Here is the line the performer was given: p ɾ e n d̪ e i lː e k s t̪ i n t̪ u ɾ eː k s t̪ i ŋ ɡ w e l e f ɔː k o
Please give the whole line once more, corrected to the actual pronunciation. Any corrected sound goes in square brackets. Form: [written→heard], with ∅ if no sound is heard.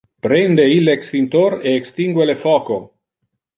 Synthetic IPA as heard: p ɾ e n d̪ e i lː e k s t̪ i n t̪ [u→o] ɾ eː k s t̪ i ŋ ɡ w e l e f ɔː k o